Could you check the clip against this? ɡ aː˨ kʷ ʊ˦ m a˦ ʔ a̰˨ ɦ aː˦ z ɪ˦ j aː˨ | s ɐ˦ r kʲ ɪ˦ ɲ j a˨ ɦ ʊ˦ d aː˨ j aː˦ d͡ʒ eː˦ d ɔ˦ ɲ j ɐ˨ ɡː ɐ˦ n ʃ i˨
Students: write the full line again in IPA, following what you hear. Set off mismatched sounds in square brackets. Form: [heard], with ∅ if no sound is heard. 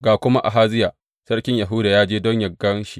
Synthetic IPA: ɡ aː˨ kʷ ʊ˦ m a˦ ʔ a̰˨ ɦ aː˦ z ɪ˦ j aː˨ | s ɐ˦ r kʲ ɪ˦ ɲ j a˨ ɦ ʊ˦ d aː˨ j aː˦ d͡ʒ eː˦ d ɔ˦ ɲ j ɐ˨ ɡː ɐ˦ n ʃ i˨